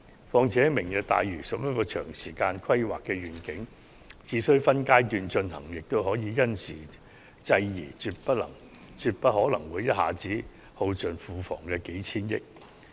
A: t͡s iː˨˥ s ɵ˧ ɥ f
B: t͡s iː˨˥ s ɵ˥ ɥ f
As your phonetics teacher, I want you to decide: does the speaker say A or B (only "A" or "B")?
B